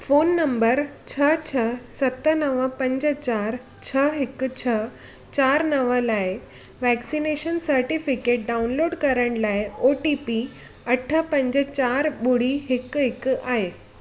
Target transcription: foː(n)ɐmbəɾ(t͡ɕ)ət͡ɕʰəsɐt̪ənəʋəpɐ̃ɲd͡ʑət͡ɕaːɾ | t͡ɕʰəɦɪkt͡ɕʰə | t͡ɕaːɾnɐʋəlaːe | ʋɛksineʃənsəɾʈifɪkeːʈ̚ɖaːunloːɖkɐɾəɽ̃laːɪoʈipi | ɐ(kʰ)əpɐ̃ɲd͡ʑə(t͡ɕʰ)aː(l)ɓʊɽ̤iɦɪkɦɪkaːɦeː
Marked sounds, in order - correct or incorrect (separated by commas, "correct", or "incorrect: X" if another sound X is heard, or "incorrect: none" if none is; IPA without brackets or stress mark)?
incorrect: nː, incorrect: t͡ɕʰ, incorrect: ʈʰ, incorrect: t͡ɕ, incorrect: ɾ